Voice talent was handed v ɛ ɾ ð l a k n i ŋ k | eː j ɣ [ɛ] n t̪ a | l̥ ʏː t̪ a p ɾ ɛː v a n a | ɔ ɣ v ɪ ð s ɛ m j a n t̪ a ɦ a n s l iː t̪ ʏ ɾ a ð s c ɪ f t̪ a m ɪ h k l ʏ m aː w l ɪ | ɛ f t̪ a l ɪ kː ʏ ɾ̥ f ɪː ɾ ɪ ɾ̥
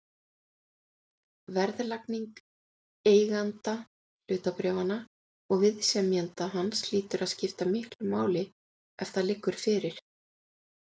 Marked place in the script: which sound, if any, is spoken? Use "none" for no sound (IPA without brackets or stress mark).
a